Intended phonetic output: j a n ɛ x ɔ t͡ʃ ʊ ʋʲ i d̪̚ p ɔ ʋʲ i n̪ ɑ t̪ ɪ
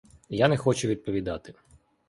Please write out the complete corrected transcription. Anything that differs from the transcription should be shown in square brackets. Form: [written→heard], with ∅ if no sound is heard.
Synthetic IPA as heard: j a n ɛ x ɔ t͡ʃ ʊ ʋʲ i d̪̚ p ɔ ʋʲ i [n̪→d̪] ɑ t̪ ɪ